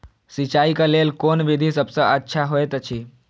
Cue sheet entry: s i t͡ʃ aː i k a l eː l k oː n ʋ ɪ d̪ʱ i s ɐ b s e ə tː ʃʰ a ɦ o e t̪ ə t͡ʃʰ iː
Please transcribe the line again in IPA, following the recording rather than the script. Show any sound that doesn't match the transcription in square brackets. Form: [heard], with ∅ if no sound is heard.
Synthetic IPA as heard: s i t͡ʃ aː i k a l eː l k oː n ʋ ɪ d̪ʱ i s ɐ b s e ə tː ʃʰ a ɦ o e t̪ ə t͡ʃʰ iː